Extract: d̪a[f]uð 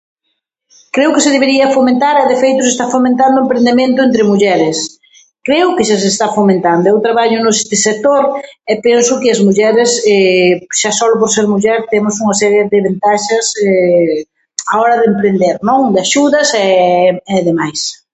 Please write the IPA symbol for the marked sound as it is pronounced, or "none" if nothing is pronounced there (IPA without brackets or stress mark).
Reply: ʃ